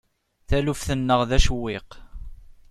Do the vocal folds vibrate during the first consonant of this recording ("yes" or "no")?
no